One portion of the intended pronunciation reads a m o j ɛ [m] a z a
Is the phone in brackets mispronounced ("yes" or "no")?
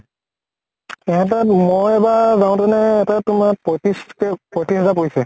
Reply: yes